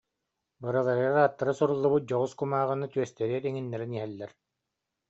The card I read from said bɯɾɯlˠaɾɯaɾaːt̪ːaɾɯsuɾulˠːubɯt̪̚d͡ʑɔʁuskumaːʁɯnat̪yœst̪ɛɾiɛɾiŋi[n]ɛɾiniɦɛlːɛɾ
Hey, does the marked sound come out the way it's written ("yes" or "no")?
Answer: no